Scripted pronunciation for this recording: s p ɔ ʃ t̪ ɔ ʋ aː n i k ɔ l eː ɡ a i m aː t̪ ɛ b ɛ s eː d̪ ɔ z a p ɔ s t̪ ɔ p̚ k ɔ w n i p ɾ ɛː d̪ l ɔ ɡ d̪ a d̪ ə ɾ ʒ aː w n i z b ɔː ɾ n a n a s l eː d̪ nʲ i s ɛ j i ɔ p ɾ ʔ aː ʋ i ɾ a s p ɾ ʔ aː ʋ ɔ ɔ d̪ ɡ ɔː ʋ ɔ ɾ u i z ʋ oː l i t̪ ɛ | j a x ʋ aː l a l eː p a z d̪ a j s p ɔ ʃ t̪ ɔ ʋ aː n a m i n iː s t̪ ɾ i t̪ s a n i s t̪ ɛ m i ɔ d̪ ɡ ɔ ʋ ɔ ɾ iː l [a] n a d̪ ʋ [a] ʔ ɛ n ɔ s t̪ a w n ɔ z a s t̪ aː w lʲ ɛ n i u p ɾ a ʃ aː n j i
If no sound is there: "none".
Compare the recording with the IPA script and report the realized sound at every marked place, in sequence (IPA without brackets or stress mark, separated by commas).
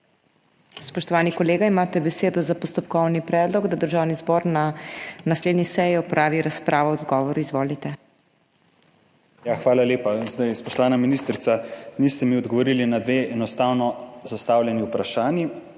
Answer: i, e